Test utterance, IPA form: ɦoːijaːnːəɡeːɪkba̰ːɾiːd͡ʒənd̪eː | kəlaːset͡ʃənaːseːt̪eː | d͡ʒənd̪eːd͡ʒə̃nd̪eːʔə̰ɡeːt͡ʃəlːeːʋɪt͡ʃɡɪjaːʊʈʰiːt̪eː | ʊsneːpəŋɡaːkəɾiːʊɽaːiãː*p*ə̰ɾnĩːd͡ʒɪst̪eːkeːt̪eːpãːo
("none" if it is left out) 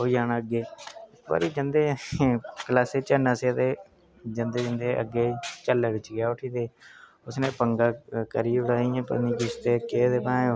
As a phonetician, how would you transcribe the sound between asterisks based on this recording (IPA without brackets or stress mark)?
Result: p